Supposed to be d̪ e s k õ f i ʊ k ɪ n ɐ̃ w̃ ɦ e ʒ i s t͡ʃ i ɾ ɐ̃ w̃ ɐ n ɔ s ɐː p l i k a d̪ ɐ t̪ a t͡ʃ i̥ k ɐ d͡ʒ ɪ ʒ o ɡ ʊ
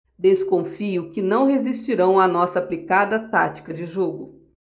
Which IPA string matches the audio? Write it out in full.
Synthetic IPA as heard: d̪ e s k õ f i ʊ k ɪ n ɐ̃ w̃ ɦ e z i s t͡ʃ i ɾ ɐ̃ w̃ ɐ n ɔ s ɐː p l i k a d̪ ɐ t̪ a t͡ʃ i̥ k ɐ d͡ʒ ɪ ʒ o ɡ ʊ

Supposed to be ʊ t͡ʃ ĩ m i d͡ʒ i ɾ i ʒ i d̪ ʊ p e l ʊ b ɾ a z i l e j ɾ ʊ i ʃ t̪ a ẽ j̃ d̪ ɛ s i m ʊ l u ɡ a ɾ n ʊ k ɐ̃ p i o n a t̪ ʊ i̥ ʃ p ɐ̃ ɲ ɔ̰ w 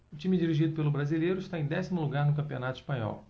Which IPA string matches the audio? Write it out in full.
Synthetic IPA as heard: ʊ t͡ʃ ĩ m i d͡ʒ i ɾ i ʒ i d̪ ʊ p e l ʊ b ɾ a z i l e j ɾ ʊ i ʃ t̪ a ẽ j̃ d̪ ɛ s i m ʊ l u ɡ a ɾ n ʊ k ɐ̃ p i o n a t̪ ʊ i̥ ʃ p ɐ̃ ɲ ɔ̰ w

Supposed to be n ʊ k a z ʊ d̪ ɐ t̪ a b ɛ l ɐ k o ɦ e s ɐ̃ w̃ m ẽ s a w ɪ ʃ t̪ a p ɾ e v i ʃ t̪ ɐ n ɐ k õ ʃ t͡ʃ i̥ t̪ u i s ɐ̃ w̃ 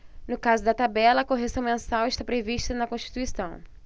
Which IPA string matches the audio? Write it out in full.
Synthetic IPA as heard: n ʊ k a z ʊ d̪ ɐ t̪ a b ɛ l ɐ k o ɦ e s ɐ̃ w̃ m ẽ s a w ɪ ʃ t̪ a p ɾ e v i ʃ t̪ ɐ n ɐ k õ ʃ t͡ʃ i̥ t̪ u i s ɐ̃ w̃

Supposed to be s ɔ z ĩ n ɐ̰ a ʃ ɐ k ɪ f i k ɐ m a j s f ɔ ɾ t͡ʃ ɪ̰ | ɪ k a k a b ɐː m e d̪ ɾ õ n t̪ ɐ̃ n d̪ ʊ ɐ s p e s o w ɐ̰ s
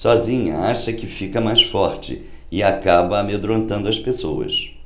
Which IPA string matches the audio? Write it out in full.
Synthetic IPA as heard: s ɔ z ĩ ɲ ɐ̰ a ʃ ɐ k ɪ f i k ɐ m a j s f ɔ ɾ t͡ʃ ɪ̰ | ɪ a k a b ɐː m e d̪ ɾ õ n t̪ ɐ̃ n d̪ ʊ ɐ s p e s o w ɐ̰ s

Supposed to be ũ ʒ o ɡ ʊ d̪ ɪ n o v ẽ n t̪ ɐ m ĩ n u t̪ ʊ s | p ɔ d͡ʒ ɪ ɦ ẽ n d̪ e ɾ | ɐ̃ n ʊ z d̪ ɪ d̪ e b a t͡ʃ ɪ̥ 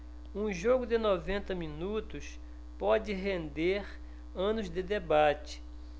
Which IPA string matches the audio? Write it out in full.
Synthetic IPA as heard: ũ ʒ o ɡ ʊ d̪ ɪ n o v ẽ n t̪ ɐ m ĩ n u t̪ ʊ s | p ɔ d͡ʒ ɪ ɦ ẽ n d̪ e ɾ | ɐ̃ n ʊ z d̪ ɪ d̪ e b a t͡ʃ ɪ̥

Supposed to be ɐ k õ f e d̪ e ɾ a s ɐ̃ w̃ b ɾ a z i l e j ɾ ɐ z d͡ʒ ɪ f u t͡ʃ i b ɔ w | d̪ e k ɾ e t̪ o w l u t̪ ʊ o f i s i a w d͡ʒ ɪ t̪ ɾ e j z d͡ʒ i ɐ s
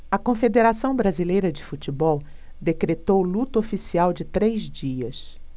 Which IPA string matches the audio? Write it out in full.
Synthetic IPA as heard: ɐ k õ f e d̪ e ɾ a s ɐ̃ w̃ b ɾ a z i l e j ɾ ɐ d͡ʒ ɪ f u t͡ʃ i b ɔ w | d̪ e k ɾ e t̪ o w l u t̪ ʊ o f i s i a w d͡ʒ ɪ t̪ ɾ e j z d͡ʒ i ɐ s

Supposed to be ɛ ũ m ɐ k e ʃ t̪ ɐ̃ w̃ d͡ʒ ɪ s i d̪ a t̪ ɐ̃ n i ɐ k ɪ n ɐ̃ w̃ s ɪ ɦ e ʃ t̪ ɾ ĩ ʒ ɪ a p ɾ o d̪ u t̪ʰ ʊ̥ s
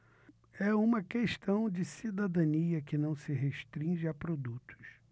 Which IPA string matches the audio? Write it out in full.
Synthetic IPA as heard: ɛ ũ m ɐ k e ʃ t̪ ɐ̃ w̃ d͡ʒ ɪ s i d̪ a d̪ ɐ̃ n i ɐ k ɪ n ɐ̃ w̃ s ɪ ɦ e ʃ t̪ ɾ ĩ ʒ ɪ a p ɾ o d̪ u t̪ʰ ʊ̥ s

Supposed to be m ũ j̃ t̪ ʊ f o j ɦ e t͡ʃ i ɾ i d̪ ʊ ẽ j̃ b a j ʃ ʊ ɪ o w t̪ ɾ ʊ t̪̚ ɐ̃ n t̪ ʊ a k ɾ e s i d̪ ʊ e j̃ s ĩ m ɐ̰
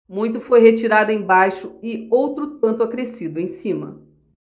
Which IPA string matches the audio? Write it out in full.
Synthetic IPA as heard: m ũ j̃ t̪ ʊ f o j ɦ e t͡ʃ i ɾ a d̪ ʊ ẽ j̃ b a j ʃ ʊ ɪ o w t̪ ɾ ʊ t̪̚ ɐ̃ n t̪ ʊ a k ɾ e s i d̪ ʊ ẽ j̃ s ĩ m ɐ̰

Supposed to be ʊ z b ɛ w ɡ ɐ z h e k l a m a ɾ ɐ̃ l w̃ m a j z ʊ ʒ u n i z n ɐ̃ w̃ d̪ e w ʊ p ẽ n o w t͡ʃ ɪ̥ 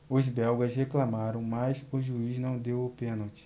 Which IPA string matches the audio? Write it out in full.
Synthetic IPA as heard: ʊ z b ɛ w ɡ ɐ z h e k l a m a ɾ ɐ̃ w̃ m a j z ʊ ʒ u i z n ɐ̃ w̃ d̪ e w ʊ p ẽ n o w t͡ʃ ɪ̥

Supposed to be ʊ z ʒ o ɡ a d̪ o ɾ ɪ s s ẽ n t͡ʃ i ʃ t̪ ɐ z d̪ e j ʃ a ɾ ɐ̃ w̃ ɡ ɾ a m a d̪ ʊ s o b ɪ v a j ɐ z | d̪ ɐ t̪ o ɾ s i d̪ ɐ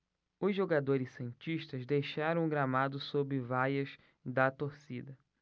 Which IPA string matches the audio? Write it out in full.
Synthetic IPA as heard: ʊ z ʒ o ɡ a d̪ o ɾ ɪ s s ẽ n t͡ʃ i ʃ t̪ ɐ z d̪ e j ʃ a ɾ ɐ̃ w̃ ɡ ɾ a m a d̪ ʊ s o b ɪ v a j ɐ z | d̪ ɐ t̪ o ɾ s i d̪ ɐ

